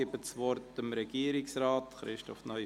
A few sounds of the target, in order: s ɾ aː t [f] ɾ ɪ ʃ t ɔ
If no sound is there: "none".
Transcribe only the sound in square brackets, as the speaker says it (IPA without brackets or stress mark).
χ